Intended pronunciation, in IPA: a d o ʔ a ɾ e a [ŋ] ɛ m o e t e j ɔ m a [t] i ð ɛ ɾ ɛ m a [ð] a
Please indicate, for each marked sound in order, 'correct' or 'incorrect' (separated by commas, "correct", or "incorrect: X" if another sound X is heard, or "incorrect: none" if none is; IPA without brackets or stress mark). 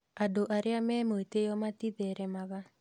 incorrect: m, correct, incorrect: ɣ